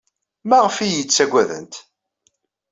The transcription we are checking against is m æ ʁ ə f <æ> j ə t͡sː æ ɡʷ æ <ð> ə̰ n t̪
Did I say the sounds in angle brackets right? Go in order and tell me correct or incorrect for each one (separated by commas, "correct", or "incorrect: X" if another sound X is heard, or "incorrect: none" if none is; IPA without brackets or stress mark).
incorrect: i, correct